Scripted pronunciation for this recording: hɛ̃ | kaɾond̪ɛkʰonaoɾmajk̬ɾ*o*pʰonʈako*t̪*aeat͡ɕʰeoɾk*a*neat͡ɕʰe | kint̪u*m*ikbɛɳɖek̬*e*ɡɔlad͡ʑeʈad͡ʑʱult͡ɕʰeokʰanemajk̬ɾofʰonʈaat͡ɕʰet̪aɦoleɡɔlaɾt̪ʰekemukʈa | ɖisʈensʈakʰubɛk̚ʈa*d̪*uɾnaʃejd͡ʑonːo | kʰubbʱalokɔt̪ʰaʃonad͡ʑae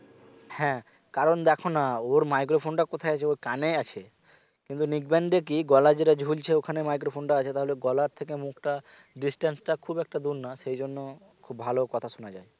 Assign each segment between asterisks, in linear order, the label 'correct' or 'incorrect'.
correct, incorrect, correct, incorrect, incorrect, correct

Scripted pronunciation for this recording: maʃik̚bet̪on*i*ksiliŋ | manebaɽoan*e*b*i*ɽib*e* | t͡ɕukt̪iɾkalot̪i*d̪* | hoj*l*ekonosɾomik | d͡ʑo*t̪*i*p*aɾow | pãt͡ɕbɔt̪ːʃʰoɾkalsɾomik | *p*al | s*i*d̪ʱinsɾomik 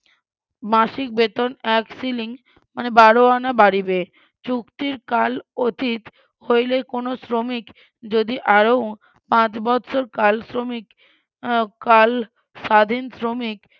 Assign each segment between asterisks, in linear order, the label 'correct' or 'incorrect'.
incorrect, incorrect, incorrect, correct, incorrect, correct, incorrect, incorrect, incorrect, incorrect

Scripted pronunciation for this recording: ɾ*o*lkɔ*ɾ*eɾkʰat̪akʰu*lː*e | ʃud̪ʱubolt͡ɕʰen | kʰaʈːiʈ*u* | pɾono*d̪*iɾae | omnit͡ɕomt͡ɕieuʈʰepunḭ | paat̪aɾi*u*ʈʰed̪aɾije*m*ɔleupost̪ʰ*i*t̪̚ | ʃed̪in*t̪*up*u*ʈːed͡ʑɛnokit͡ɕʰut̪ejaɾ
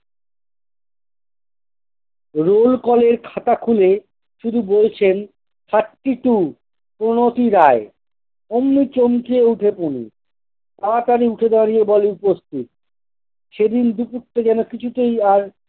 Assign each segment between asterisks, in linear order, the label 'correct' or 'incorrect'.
correct, incorrect, incorrect, correct, incorrect, correct, incorrect, correct, incorrect, correct

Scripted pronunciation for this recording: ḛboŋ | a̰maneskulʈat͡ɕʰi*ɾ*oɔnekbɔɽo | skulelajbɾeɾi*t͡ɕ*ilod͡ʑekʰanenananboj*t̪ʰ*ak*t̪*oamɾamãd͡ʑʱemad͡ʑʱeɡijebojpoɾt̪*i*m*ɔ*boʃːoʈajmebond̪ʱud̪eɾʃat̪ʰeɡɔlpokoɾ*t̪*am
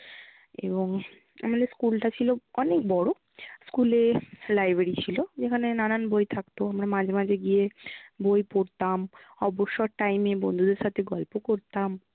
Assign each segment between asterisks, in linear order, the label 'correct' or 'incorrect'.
incorrect, incorrect, correct, correct, incorrect, correct, correct

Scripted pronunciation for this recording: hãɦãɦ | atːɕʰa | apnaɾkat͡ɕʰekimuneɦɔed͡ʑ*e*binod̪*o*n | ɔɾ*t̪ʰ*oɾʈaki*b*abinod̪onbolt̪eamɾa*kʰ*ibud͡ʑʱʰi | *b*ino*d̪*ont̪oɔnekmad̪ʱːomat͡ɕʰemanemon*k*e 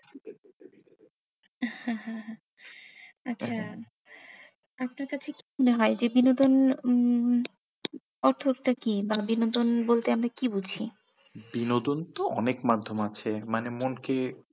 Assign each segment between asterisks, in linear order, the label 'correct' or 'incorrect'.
correct, correct, correct, correct, incorrect, correct, correct, correct

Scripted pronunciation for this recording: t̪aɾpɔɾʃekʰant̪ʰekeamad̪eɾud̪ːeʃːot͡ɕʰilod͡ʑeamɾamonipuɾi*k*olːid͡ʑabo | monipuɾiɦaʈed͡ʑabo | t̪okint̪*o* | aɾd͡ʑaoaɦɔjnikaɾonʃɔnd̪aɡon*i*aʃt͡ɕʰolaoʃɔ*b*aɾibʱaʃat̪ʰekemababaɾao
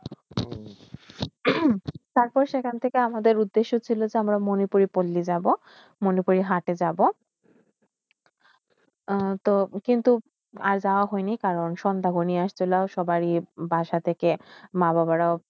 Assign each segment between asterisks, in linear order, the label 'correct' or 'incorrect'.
incorrect, incorrect, correct, correct

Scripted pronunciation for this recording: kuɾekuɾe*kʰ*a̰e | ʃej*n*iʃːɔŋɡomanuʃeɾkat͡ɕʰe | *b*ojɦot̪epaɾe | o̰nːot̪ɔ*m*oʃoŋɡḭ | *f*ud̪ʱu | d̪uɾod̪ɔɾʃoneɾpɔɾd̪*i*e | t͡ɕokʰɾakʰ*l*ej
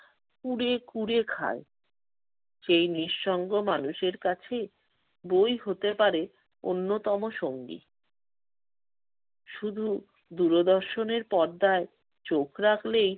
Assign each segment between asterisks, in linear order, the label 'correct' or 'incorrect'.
correct, correct, correct, correct, incorrect, incorrect, correct

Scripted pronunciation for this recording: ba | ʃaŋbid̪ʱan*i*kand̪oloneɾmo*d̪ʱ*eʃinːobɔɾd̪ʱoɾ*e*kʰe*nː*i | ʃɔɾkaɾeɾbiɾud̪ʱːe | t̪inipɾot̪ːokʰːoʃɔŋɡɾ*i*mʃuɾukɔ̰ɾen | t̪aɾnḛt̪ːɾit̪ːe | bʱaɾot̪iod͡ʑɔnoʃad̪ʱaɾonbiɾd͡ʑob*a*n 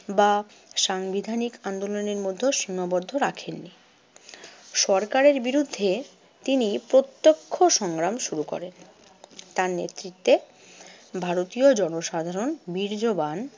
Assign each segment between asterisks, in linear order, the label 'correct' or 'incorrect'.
correct, incorrect, incorrect, correct, incorrect, correct

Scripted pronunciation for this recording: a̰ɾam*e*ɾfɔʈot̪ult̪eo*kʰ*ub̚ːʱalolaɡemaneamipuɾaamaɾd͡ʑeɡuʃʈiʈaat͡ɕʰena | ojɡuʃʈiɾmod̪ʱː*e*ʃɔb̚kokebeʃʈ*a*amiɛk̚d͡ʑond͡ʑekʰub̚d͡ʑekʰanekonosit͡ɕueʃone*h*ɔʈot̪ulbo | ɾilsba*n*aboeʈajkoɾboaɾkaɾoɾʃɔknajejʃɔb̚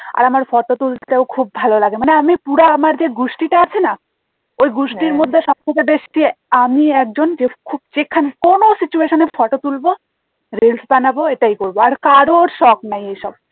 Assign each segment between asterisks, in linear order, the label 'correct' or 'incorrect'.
incorrect, correct, correct, incorrect, incorrect, correct

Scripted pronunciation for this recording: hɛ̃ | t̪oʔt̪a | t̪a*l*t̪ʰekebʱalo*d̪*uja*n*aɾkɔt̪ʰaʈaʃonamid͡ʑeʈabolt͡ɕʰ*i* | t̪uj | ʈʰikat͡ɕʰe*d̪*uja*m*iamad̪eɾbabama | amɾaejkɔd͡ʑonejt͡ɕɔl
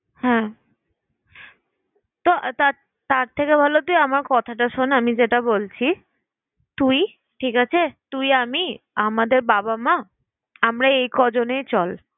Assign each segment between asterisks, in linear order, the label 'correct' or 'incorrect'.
incorrect, incorrect, incorrect, correct, incorrect, correct

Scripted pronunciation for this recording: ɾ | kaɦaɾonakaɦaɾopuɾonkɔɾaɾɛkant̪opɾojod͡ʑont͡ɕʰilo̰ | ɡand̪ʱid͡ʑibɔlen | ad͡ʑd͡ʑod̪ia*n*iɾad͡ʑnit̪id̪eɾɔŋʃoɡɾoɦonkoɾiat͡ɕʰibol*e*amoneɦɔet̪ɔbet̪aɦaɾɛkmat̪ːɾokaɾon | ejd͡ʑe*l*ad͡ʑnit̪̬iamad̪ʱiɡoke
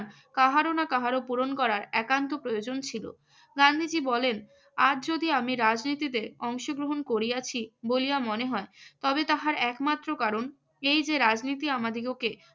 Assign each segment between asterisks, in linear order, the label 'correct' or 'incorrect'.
incorrect, incorrect, incorrect

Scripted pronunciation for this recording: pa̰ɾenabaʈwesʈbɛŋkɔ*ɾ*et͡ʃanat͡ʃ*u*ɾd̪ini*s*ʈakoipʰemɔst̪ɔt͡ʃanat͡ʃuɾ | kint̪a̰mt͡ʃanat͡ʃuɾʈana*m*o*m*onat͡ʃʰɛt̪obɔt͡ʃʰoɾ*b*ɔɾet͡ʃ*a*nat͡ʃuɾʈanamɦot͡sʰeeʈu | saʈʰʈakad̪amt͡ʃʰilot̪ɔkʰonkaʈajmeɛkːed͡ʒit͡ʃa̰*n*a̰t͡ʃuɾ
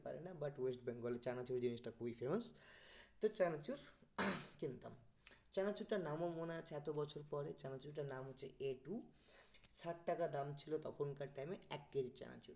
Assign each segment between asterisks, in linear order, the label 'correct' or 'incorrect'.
incorrect, correct, correct, correct, correct, incorrect, correct, correct

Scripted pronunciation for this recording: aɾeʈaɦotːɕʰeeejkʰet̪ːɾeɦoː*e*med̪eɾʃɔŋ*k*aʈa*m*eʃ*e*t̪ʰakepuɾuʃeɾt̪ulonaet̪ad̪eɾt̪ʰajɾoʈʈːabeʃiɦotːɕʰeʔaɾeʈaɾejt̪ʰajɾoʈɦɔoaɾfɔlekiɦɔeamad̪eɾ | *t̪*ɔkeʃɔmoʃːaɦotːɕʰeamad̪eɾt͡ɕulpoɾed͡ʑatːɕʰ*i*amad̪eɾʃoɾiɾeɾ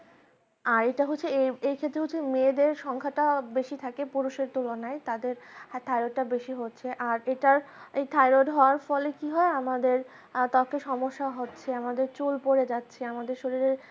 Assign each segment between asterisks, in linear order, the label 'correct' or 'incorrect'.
correct, incorrect, incorrect, incorrect, correct, incorrect

